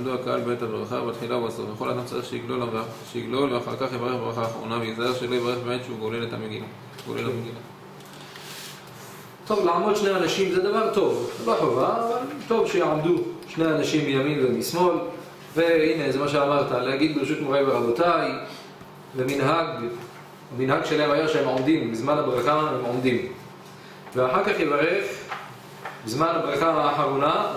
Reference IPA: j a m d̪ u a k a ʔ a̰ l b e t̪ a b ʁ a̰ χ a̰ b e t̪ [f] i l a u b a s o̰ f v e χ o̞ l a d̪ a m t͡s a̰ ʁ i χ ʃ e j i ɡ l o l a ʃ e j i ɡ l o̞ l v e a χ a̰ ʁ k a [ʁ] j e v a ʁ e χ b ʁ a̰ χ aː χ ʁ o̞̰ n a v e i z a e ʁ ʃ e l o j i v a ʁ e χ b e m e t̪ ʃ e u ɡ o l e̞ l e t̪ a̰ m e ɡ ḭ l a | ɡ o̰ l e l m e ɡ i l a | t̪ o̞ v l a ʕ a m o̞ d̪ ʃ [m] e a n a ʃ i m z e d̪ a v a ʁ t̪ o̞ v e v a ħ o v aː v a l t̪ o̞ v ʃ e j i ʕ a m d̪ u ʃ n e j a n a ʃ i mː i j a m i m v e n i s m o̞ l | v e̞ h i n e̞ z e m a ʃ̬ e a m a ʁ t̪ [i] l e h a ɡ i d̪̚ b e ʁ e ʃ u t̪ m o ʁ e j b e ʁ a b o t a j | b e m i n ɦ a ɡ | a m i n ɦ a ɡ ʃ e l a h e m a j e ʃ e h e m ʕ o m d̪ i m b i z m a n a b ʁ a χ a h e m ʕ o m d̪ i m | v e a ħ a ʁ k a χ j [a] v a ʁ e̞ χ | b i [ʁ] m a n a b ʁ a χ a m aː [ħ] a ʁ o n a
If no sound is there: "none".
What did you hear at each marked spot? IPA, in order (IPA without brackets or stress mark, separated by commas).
χ, χ, n, a, e, z, ħ